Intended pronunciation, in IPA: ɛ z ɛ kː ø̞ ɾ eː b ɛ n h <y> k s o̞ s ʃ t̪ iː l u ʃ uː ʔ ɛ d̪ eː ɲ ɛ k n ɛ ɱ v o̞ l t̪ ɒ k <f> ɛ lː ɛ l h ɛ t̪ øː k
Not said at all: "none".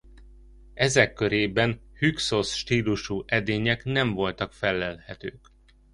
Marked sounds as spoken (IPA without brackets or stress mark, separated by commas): y, f